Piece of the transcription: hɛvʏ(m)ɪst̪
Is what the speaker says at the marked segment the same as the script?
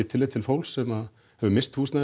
yes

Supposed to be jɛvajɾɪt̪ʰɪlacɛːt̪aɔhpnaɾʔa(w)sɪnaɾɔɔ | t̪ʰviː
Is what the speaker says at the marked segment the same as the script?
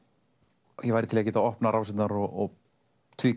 yes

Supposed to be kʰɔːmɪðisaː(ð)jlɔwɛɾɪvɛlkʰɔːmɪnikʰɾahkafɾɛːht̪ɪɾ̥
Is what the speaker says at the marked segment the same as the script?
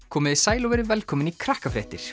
no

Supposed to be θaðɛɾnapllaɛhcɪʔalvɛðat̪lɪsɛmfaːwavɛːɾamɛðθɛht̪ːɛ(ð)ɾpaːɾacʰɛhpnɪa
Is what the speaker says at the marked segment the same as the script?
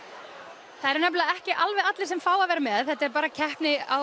no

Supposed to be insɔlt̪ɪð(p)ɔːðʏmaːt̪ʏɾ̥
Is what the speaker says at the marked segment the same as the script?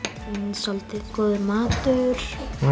no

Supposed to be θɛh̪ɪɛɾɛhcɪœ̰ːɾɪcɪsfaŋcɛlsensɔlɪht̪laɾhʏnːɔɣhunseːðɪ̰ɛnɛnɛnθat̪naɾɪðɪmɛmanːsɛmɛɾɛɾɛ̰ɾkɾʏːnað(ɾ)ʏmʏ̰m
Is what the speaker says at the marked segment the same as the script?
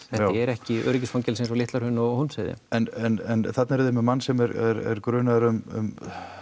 yes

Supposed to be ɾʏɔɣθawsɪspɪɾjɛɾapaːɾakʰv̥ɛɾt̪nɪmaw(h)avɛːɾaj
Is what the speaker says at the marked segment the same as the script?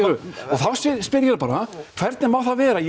no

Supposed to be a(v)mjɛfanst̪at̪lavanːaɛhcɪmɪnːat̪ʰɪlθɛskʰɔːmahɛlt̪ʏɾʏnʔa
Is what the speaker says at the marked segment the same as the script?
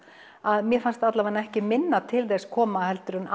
no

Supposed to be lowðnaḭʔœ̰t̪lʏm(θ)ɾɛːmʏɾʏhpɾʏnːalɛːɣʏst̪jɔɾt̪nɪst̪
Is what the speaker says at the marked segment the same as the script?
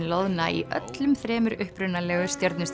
yes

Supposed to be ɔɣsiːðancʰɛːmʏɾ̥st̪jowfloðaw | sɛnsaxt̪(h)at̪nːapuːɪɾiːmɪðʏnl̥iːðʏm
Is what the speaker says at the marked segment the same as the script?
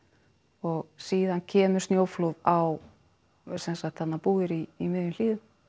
yes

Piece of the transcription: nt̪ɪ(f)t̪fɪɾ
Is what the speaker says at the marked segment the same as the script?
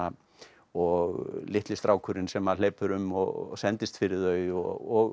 no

